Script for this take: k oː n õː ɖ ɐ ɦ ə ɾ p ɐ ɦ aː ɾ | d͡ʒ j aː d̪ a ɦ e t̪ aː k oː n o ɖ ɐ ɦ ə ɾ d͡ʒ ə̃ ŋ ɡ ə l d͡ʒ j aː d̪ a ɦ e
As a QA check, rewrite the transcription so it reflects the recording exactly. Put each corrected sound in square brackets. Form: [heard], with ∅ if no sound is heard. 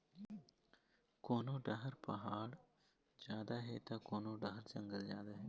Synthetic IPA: k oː n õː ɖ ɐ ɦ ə ɾ p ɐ ɦ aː [ɽ] | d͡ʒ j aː d̪ a ɦ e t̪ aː k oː n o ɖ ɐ ɦ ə ɾ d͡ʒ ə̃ ŋ ɡ ə l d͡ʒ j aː d̪ a ɦ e